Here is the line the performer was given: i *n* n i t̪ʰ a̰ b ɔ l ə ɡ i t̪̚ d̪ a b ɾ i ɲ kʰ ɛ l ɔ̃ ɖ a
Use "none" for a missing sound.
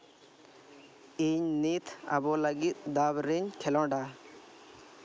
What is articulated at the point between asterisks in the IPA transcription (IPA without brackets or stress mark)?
ɲ